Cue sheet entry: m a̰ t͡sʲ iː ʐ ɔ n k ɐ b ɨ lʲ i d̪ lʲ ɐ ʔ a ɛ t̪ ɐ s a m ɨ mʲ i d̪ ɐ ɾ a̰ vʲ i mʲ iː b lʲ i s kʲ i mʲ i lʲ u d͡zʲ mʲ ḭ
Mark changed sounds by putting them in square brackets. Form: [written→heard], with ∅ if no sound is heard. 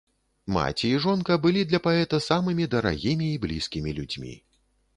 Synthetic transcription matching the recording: m a̰ t͡sʲ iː ʐ ɔ n k ɐ b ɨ lʲ i d̪ lʲ ɐ [ʔ→p] a ɛ t̪ ɐ s a m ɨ mʲ i d̪ ɐ ɾ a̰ [vʲ→ɣʲ] i mʲ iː b lʲ i s kʲ i mʲ i lʲ u d͡zʲ mʲ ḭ